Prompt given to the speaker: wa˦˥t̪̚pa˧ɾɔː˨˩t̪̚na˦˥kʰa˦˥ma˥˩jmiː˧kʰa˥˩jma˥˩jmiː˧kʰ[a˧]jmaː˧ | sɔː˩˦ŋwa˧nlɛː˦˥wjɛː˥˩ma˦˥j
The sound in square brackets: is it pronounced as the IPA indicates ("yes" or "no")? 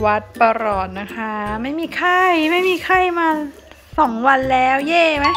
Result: no